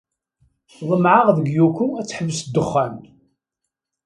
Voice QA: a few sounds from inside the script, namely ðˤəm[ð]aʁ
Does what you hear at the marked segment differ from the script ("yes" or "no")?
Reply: yes